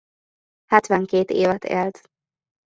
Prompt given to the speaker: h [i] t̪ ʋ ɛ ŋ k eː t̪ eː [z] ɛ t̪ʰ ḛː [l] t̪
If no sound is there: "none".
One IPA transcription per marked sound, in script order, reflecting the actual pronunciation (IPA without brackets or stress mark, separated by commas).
ɛ, v, l